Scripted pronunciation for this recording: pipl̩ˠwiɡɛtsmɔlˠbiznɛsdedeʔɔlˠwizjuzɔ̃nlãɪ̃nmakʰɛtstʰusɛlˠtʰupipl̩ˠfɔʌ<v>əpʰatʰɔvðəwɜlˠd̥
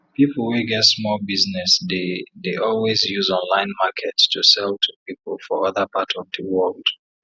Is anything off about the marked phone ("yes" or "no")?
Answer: yes